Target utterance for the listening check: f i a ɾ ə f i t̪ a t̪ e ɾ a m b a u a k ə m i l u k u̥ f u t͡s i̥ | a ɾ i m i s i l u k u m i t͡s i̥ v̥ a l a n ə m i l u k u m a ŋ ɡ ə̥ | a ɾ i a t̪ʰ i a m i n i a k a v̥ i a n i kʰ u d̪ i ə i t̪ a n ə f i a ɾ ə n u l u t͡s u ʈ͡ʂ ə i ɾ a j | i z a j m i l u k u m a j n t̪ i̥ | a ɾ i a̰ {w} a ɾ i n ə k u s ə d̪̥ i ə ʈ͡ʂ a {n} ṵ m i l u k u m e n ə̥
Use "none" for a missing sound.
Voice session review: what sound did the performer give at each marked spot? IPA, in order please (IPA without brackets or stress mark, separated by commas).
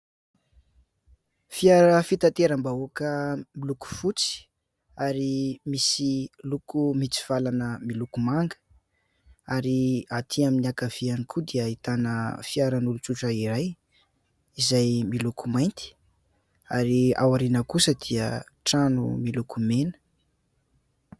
w, n